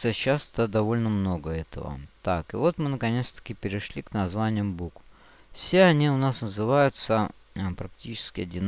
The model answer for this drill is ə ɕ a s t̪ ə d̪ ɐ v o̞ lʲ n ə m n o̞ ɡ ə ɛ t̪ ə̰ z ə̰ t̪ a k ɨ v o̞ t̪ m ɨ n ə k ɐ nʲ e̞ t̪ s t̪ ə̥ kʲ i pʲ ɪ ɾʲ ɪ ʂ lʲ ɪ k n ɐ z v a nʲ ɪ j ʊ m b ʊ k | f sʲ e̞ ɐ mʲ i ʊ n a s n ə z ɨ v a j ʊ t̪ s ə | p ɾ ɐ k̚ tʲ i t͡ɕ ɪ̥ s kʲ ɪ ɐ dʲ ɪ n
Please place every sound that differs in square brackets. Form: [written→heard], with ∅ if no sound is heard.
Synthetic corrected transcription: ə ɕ a s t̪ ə d̪ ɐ v o̞ lʲ n ə m n o̞ ɡ ə ɛ t̪ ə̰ [z→v] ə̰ t̪ a k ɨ v o̞ t̪ m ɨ n ə k ɐ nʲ e̞ t̪ s t̪ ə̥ kʲ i pʲ ɪ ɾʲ ɪ ʂ lʲ [ɪ→i] k n ɐ z v a nʲ ɪ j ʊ m b [ʊ→u] k | f sʲ e̞ ɐ [mʲ→nʲ] i ʊ n a s n ə z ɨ v a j ʊ t̪ s ə | p ɾ ɐ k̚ tʲ i t͡ɕ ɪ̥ s kʲ ɪ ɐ dʲ ɪ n